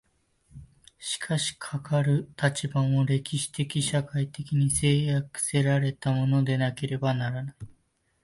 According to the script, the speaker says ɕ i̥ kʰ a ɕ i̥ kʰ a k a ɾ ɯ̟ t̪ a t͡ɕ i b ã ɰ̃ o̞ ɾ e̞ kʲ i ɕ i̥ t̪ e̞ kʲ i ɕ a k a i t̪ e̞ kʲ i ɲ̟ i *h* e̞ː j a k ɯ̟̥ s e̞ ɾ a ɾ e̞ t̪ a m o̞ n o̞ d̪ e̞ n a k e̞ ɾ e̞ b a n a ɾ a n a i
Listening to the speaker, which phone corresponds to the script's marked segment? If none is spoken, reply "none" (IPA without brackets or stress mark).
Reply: s